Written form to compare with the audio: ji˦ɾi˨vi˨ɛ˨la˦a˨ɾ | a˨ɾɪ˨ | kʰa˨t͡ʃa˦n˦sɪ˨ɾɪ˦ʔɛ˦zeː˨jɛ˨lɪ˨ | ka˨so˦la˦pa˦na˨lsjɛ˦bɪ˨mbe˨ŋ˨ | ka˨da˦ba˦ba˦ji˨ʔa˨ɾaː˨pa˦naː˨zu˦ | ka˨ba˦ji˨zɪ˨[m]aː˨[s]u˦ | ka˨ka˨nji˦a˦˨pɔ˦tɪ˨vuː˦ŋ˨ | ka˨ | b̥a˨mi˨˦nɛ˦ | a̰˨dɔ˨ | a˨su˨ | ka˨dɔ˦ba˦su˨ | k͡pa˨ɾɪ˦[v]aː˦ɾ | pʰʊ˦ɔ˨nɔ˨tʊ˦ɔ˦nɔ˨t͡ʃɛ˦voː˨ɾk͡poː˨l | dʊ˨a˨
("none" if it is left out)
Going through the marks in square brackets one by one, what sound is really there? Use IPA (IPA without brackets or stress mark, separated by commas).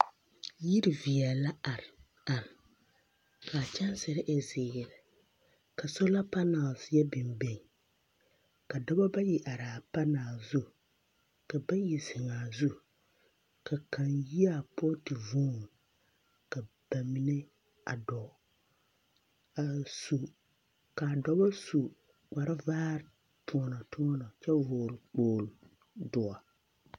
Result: ŋ, z, v